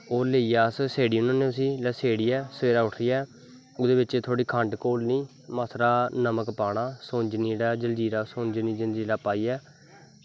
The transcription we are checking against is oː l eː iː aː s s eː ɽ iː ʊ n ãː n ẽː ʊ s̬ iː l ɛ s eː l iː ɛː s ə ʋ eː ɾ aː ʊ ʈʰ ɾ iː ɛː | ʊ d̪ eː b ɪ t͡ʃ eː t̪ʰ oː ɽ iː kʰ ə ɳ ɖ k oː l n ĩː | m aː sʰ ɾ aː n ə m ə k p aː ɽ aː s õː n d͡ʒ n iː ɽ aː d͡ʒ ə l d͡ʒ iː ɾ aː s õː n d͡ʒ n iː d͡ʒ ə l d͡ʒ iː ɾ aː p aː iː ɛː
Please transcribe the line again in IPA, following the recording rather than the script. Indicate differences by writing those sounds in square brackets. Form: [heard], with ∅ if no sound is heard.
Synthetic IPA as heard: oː l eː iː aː s s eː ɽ iː ʊ n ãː n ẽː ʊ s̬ iː l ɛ s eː [ɽ] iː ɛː s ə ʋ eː ɾ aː ʊ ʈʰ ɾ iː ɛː | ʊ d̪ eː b ɪ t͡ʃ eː t̪ʰ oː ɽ iː kʰ ə ɳ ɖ k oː l n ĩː | m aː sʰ ɾ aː n ə m ə k p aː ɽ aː s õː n d͡ʒ n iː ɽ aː d͡ʒ ə l d͡ʒ iː ɾ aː s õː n d͡ʒ n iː d͡ʒ ə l d͡ʒ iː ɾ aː p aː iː ɛː